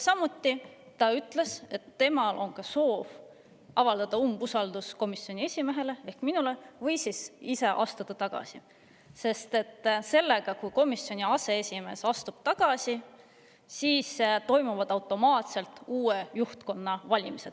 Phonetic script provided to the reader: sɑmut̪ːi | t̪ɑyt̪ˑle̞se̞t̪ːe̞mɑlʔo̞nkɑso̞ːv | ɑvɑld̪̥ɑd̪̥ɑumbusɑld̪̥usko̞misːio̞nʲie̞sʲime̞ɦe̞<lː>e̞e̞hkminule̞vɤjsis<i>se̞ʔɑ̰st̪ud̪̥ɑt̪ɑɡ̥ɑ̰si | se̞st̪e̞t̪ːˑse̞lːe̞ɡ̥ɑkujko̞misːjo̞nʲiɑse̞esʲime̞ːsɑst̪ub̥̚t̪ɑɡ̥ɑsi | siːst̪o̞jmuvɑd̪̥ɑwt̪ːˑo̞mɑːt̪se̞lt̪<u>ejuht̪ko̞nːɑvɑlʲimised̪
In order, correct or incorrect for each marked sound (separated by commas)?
incorrect, correct, incorrect